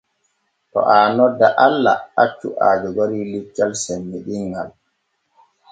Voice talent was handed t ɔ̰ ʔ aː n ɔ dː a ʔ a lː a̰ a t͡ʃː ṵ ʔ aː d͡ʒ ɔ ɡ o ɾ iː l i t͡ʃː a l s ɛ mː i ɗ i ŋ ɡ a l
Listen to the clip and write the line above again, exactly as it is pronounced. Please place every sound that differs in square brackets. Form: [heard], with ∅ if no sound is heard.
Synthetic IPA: t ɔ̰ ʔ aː n ɔ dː a ʔ a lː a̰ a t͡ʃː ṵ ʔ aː d͡ʒ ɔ ɡ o ɾ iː l i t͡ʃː a l s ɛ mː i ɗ i ŋ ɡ a l